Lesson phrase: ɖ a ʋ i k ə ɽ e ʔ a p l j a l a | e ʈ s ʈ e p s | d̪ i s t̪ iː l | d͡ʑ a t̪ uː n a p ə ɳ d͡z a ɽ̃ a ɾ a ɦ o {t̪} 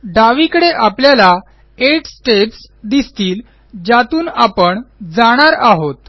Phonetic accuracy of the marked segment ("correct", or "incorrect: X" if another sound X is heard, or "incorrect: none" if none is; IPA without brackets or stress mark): correct